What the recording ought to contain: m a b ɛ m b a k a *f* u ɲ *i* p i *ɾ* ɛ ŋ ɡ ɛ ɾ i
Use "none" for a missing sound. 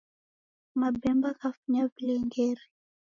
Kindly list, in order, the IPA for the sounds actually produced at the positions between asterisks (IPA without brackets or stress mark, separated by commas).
f, a, l